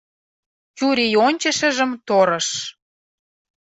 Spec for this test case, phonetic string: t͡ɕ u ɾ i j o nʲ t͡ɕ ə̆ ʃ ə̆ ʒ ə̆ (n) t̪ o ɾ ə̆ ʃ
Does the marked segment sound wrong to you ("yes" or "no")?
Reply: yes